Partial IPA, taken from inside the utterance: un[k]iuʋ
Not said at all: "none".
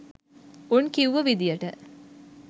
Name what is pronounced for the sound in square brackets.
k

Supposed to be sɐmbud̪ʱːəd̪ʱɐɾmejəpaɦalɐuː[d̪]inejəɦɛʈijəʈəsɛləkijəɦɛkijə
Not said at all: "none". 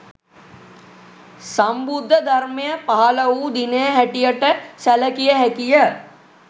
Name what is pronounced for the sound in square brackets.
d̪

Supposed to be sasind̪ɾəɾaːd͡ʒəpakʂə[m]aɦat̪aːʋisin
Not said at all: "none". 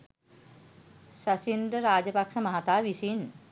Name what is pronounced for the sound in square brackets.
m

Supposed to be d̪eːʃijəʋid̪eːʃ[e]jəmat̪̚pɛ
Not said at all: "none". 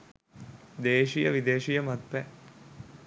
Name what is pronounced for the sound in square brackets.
i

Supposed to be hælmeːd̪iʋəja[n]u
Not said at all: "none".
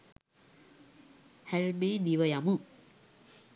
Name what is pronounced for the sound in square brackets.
m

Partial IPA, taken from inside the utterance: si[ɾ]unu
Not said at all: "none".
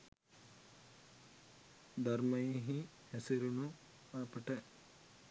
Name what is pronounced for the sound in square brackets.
ɾ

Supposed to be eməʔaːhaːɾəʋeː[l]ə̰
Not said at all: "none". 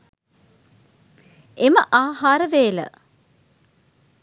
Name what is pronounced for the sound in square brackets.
l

